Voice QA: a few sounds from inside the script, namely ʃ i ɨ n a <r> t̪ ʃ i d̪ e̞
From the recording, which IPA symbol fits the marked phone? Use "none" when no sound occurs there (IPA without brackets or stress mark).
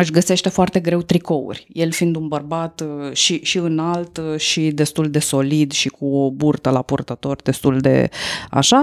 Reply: l